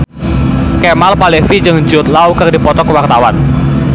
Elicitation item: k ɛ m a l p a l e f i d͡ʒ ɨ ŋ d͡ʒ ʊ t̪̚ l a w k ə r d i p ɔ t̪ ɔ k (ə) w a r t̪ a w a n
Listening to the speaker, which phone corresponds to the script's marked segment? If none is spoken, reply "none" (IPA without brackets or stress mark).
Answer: ə